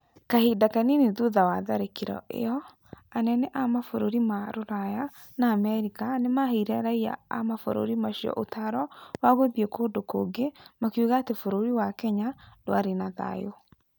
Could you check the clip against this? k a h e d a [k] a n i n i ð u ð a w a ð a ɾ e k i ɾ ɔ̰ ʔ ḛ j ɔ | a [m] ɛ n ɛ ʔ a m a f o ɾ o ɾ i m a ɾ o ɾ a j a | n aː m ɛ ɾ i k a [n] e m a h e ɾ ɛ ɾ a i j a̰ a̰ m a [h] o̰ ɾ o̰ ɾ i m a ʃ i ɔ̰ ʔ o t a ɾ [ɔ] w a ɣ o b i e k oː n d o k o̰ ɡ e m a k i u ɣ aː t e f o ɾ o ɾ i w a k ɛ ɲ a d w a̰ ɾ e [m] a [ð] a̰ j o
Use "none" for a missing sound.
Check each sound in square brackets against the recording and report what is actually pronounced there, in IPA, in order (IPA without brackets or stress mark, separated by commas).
k, n, n, f, ɔ, n, ð